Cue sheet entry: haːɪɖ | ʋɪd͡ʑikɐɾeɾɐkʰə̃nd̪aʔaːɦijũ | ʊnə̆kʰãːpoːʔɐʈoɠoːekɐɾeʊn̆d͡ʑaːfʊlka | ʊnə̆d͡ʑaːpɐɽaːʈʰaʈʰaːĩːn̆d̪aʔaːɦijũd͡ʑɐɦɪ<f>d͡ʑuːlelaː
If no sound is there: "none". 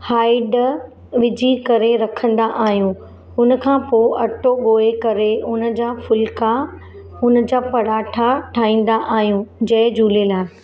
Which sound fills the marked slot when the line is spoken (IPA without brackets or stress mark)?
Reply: none